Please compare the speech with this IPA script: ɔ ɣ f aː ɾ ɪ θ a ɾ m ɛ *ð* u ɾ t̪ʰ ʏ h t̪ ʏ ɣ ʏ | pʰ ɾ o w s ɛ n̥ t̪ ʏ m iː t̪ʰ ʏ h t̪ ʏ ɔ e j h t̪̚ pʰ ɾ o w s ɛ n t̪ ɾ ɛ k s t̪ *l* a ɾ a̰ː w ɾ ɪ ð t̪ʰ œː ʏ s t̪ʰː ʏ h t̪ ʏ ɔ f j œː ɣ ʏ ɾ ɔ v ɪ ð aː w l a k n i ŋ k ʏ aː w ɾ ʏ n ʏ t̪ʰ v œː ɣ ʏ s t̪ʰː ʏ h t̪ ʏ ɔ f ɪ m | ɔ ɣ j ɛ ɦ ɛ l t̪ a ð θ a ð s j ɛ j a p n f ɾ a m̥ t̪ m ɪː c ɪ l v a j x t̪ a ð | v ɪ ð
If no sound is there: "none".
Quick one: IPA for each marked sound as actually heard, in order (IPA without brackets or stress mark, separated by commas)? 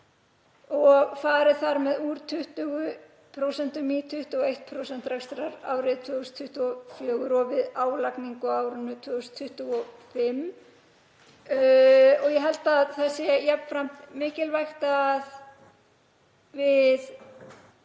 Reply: ð, ɾ